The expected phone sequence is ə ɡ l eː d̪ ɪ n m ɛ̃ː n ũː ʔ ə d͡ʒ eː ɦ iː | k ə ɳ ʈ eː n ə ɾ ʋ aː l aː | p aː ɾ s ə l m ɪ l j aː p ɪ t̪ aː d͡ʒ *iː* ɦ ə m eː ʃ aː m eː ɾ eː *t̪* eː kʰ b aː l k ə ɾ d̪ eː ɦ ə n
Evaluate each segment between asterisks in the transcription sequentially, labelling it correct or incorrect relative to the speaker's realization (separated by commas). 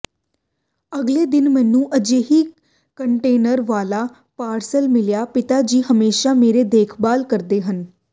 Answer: correct, incorrect